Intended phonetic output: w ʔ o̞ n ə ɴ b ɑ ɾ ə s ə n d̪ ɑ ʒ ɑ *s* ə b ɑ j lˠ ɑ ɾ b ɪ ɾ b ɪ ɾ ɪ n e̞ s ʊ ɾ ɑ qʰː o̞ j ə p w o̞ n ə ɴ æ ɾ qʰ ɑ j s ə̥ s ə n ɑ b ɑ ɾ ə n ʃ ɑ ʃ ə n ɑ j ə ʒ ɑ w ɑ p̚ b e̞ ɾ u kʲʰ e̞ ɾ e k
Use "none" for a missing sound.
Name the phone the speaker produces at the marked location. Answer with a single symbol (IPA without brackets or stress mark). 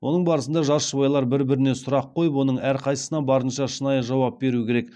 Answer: ʃ